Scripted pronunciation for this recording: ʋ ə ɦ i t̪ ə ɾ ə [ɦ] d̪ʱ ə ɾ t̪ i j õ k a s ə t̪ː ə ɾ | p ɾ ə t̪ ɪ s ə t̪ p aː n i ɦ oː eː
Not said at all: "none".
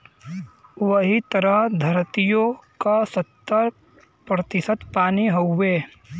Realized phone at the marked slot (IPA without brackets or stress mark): ɦ